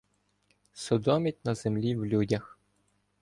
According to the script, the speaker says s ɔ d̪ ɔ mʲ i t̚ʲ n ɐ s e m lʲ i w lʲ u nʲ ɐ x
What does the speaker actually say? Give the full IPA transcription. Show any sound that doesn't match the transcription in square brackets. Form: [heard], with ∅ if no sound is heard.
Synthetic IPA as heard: s ɔ d̪ ɔ mʲ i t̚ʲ n ɐ [z] e m lʲ i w lʲ u [dʲ] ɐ x

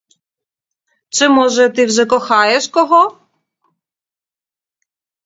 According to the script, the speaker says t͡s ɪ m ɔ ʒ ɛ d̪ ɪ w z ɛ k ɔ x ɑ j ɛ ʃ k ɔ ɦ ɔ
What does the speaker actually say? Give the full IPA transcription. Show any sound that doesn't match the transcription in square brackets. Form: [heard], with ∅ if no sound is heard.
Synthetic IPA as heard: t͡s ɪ m ɔ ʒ ɛ [t̪] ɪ w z ɛ k ɔ x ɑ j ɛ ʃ k ɔ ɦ ɔ

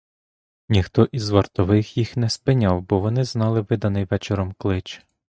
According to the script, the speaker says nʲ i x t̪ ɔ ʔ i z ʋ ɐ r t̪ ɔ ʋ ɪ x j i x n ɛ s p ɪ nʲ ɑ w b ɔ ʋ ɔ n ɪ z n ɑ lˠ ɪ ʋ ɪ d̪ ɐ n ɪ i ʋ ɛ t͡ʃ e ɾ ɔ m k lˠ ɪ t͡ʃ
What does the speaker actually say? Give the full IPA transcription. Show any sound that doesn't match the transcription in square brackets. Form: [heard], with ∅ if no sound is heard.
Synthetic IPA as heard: nʲ i x t̪ ɔ ʔ i z ʋ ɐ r t̪ ɔ ʋ ɪ x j i x n ɛ s p ɪ nʲ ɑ w b ɔ ʋ ɔ n ɪ z n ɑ lˠ ɪ ʋ ɪ d̪ ɐ n ɪ [j] ʋ ɛ t͡ʃ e ɾ ɔ m k lˠ ɪ t͡ʃ

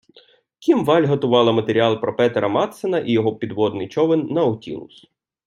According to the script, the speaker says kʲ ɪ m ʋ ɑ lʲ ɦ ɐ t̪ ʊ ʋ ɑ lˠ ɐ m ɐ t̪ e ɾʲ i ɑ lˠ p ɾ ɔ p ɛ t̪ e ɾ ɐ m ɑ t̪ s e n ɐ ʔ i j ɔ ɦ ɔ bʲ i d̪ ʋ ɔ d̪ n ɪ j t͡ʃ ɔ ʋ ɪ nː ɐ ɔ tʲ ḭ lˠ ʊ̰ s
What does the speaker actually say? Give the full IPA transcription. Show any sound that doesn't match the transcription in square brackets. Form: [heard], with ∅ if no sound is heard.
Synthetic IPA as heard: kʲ [i] m ʋ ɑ lʲ ɦ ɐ t̪ ʊ ʋ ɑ lˠ ɐ m ɐ t̪ e ɾʲ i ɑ lˠ p ɾ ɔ p ɛ t̪ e ɾ ɐ m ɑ t̪ s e n ɐ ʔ i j ɔ ɦ ɔ [pʲ] i d̪ ʋ ɔ d̪ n ɪ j t͡ʃ ɔ ʋ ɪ nː ɐ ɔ tʲ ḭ lˠ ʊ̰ s

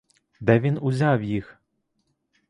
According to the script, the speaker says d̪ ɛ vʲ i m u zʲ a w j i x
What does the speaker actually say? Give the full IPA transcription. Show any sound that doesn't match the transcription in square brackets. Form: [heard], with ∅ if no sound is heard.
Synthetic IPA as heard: d̪ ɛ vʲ i [n] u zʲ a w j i x

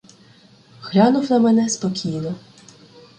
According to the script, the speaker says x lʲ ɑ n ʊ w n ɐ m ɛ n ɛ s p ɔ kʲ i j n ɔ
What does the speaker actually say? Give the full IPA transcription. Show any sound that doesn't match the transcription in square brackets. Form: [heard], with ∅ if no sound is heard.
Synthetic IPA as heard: x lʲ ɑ n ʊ w n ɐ m ɛ n ɛ s p ɔ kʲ i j n ɔ

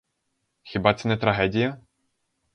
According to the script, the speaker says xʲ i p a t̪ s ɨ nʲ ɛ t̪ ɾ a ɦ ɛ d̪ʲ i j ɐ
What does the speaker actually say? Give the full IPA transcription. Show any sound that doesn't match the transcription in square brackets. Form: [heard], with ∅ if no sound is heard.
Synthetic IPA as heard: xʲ i [b] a t̪ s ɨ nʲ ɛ t̪ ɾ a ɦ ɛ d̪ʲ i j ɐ

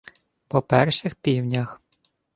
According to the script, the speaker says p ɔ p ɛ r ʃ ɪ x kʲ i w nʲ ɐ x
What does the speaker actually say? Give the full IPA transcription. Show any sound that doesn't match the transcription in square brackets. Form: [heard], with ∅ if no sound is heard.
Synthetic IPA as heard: p ɔ p ɛ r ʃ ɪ x [pʲ] i w nʲ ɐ x

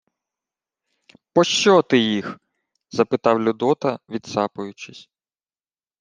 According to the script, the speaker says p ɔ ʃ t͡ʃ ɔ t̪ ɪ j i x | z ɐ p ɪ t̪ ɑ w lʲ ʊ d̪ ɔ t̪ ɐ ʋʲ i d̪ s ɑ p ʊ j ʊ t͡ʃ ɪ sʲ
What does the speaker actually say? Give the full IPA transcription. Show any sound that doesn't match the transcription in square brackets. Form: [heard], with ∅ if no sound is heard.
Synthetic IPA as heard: p ɔ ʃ t͡ʃ ɔ t̪ ɪ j i x | z ɐ p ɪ t̪ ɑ w lʲ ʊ d̪ ɔ t̪ ɐ ʋʲ i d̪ s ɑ p ʊ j ʊ t͡ʃ ɪ sʲ

